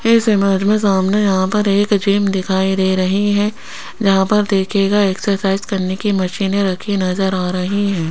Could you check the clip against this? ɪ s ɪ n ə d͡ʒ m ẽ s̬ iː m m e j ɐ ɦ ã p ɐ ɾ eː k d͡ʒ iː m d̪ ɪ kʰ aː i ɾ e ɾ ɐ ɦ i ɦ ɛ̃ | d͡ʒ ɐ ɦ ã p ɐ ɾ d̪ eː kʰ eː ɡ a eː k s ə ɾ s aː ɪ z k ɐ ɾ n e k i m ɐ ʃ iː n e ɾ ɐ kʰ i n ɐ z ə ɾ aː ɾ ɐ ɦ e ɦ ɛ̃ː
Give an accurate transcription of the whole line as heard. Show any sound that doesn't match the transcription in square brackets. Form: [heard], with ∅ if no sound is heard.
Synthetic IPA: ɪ s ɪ [m] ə d͡ʒ m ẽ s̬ [aː] m [n] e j ɐ ɦ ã p ɐ ɾ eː k d͡ʒ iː m d̪ ɪ kʰ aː i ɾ e ɾ ɐ ɦ i ɦ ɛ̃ | d͡ʒ ɐ ɦ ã p ɐ ɾ d̪ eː kʰ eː ɡ a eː k s ə ɾ s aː ɪ z k ɐ ɾ n e k i m ɐ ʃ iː n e ɾ ɐ kʰ i n ɐ z ə ɾ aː ɾ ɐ ɦ [i] ɦ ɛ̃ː